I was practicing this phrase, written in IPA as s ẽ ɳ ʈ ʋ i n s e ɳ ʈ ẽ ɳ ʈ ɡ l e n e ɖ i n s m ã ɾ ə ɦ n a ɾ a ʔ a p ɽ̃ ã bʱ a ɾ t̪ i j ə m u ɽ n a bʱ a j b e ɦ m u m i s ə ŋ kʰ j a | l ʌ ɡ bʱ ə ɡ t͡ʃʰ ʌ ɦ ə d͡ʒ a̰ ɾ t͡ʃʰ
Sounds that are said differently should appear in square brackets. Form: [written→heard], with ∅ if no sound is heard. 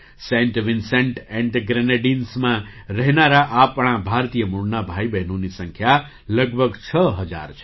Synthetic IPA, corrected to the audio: s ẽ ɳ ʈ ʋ i n s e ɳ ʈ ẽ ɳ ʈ ɡ [l→ɾ] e n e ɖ i n s m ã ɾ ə ɦ n a ɾ a ʔ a p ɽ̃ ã bʱ a ɾ t̪ i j ə m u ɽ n a bʱ a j b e ɦ [m→n] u [m→n] i s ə ŋ kʰ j a | l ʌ ɡ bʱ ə ɡ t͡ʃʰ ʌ ɦ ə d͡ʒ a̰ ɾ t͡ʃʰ